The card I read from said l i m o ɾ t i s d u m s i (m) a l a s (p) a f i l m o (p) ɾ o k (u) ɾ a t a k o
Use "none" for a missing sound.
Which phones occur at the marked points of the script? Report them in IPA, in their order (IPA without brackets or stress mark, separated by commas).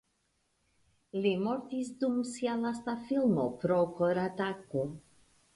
none, t, p, o